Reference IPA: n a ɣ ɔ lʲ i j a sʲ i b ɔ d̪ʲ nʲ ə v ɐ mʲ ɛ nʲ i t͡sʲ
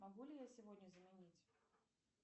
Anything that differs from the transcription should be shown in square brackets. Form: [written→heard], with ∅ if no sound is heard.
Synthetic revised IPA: [n→m] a ɣ [ɔ→u] lʲ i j a sʲ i [b→v] ɔ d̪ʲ nʲ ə [v→z] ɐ mʲ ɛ nʲ i t͡sʲ